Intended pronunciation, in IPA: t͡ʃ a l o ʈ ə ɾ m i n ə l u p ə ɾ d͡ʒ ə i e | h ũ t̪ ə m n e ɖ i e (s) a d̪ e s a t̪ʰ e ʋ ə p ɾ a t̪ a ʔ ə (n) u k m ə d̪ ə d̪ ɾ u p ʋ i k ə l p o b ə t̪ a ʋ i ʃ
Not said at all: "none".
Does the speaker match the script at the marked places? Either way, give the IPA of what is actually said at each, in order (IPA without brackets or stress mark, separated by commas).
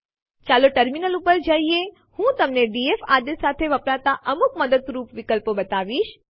f, m